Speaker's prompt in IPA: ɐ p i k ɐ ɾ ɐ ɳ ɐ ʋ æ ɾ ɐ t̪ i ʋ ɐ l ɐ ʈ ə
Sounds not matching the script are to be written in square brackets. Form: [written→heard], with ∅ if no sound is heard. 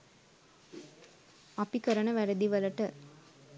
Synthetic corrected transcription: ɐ p i k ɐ ɾ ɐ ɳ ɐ ʋ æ ɾ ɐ [t̪→d̪] i ʋ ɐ l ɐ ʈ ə

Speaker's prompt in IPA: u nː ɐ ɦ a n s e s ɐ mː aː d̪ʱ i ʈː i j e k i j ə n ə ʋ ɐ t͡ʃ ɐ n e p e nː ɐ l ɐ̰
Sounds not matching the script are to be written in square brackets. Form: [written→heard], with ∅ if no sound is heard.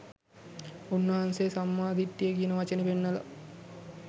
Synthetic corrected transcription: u nː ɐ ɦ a n s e s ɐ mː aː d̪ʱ i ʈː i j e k i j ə n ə ʋ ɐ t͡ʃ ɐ n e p e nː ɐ l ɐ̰

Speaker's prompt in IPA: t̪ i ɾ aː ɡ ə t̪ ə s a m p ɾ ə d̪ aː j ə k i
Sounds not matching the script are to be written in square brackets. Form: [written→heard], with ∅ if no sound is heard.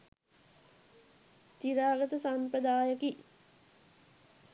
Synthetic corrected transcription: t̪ i ɾ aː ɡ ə t̪ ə s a m p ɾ ə d̪ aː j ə k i

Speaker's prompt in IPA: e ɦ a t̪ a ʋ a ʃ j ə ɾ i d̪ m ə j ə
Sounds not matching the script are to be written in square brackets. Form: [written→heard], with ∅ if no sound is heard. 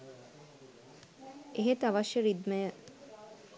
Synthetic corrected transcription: e ɦ [a→e] t̪ a ʋ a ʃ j ə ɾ i d̪ m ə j ə

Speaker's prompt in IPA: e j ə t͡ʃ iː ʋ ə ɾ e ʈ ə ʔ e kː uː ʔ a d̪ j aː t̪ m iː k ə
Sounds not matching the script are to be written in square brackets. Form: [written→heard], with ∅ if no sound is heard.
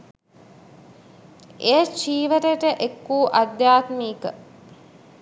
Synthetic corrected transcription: e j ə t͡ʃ iː ʋ ə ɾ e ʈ ə ʔ e kː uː ʔ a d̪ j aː t̪ m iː k ə

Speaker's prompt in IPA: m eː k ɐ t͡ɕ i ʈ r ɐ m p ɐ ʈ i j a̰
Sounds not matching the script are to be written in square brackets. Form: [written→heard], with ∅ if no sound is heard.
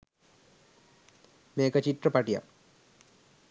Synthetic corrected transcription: m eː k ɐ t͡ɕ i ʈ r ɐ [m→∅] p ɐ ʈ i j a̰

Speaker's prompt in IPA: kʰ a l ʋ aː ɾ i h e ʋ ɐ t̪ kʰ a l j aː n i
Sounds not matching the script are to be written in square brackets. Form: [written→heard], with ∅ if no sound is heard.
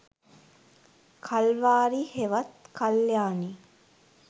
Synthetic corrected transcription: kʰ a l ʋ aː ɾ i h e ʋ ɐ t̪ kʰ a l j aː n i

